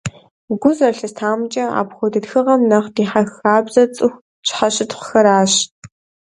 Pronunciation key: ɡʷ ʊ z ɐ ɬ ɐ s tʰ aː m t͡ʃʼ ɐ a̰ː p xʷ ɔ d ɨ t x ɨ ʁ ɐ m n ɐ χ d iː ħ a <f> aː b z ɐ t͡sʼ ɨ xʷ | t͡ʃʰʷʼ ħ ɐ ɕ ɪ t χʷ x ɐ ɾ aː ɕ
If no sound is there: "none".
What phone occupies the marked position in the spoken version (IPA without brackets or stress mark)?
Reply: x